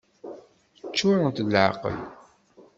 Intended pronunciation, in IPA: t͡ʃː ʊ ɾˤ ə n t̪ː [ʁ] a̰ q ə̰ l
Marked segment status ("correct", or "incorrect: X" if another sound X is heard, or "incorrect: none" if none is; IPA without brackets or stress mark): incorrect: ʕ